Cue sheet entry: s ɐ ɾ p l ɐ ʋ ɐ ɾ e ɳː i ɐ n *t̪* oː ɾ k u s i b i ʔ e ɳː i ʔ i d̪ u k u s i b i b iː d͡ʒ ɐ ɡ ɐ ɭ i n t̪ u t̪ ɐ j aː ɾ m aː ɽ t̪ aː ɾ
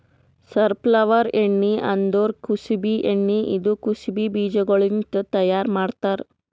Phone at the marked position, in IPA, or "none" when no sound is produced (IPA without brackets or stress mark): d̪